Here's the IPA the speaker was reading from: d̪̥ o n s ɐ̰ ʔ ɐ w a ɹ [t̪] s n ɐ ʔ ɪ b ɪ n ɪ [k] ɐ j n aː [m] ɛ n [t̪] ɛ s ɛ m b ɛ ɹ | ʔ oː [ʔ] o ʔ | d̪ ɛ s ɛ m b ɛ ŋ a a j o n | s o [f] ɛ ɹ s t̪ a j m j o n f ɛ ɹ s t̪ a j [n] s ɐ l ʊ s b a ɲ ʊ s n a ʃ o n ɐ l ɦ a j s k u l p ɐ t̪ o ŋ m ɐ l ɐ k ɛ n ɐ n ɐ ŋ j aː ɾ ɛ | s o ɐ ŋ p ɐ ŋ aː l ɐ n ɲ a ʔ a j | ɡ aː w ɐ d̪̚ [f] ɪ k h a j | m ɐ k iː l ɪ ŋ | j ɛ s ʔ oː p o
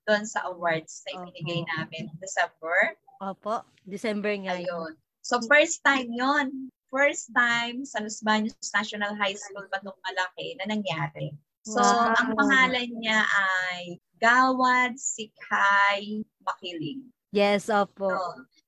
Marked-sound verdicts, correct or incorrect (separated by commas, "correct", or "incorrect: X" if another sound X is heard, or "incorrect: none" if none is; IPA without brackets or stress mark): incorrect: d̪, incorrect: ɡ, correct, incorrect: d̪, incorrect: p, correct, incorrect: m, incorrect: s